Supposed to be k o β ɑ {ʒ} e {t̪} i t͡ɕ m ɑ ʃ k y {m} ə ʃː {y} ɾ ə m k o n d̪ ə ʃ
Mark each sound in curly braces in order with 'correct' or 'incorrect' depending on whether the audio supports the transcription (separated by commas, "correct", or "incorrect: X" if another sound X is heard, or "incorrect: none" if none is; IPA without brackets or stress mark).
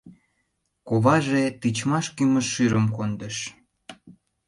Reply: correct, correct, correct, correct